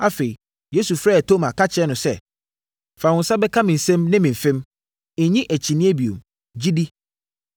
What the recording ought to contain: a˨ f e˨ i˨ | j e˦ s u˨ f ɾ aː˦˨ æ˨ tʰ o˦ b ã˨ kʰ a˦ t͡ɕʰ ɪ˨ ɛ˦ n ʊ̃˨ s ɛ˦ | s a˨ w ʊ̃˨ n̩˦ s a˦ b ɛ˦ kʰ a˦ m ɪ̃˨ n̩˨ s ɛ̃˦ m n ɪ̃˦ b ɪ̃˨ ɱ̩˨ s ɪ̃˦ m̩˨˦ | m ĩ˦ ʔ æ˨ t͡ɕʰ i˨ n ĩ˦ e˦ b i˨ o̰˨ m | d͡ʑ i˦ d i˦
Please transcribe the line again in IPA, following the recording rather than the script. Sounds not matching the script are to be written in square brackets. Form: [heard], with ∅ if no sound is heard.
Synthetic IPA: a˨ f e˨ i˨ | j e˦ s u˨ f ɾ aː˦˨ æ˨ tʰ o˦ [m] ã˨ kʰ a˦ t͡ɕʰ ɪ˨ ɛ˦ n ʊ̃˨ s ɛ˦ | [f] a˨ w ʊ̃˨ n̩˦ s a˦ b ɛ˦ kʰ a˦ m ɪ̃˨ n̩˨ s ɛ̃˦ m n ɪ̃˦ [m] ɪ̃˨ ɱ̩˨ [f] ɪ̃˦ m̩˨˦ | [ɲ] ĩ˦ ʔ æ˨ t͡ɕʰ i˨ n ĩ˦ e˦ b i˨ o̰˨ m | d͡ʑ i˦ d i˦